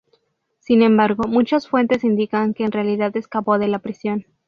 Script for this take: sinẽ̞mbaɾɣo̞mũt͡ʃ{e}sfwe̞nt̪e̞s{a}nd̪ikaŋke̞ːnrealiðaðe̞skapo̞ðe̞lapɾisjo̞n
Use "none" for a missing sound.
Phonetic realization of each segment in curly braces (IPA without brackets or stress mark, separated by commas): a, i